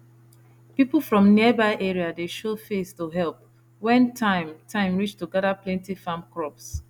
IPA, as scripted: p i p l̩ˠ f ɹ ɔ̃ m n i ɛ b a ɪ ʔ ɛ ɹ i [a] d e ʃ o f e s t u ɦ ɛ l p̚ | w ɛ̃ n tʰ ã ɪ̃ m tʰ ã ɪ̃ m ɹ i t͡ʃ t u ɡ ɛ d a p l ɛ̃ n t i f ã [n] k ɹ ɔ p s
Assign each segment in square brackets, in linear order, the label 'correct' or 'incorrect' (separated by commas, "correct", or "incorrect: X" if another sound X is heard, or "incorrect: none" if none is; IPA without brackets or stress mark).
correct, incorrect: m